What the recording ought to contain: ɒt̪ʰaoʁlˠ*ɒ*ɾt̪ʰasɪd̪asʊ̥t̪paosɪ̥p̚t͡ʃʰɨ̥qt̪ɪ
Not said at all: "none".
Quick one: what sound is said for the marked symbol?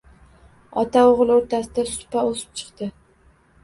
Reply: o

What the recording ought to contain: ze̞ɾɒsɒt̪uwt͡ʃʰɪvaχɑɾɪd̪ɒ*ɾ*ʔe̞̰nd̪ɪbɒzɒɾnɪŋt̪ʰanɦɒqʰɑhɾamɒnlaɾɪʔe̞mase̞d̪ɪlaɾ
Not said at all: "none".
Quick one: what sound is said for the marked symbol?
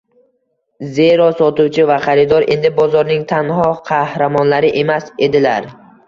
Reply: ɾ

